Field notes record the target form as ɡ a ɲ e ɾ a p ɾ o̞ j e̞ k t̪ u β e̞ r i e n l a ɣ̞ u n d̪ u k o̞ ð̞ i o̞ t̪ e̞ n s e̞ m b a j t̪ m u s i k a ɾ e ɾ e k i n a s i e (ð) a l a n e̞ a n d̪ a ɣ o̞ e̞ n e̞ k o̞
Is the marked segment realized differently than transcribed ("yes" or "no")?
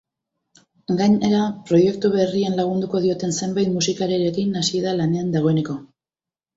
no